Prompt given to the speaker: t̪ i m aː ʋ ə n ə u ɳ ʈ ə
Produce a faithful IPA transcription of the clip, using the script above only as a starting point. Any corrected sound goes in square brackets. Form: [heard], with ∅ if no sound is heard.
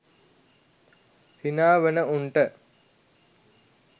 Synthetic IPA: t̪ i [n] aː ʋ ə n ə u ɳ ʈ ə